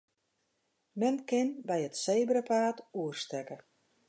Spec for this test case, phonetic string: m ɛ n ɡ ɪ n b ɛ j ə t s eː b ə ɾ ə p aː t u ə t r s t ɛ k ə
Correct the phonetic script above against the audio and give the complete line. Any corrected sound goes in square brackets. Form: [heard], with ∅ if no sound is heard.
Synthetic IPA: m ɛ n [k] ɪ n b ɛ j ə t s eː b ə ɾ ə p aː t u ə [∅] r s t ɛ k ə